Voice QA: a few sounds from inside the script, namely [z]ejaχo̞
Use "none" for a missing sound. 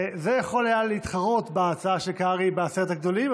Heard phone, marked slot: z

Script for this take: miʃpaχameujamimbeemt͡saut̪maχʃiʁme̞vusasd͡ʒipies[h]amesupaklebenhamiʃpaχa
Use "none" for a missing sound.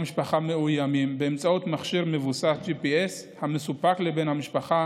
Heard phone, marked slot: h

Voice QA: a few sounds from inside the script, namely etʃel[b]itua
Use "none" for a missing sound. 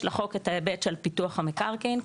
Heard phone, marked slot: p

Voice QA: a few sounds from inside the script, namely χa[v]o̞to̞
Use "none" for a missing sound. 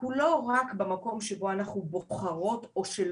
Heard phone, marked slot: ʁ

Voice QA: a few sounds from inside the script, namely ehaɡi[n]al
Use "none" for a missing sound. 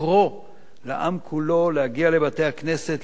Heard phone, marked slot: none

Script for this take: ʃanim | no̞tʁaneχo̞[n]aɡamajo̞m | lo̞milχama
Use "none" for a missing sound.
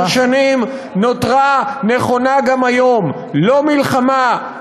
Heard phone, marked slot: n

